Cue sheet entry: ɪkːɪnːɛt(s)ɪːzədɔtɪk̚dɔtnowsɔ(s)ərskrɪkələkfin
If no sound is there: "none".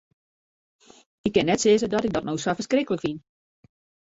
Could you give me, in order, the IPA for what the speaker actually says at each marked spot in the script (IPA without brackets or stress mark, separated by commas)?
s, f